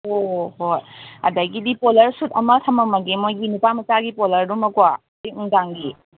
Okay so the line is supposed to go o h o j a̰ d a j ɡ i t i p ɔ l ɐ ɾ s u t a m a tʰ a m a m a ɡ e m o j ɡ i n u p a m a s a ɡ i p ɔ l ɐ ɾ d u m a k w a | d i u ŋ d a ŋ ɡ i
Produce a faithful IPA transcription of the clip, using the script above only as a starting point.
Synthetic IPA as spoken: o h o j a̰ d a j ɡ i d i p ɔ l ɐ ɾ s u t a m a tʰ a m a m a ɡ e m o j ɡ i n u p a m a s a ɡ i p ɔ l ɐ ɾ d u m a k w a | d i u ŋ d a ŋ ɡ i